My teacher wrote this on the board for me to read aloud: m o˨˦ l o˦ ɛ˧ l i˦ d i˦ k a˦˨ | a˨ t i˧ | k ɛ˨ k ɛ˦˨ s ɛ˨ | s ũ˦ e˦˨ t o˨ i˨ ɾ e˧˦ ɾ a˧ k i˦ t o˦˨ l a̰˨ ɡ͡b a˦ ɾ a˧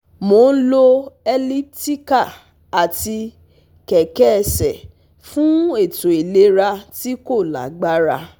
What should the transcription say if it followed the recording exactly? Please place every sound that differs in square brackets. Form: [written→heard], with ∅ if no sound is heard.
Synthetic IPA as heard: m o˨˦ l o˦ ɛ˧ l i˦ [d→t] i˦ k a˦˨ | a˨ t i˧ | k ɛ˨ k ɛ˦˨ s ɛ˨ | [s→f] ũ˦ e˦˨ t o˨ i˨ [ɾ→l] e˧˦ ɾ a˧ [k→t] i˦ [t→k] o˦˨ l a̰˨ ɡ͡b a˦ ɾ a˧